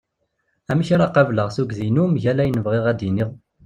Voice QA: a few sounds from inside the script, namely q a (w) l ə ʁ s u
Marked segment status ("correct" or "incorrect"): incorrect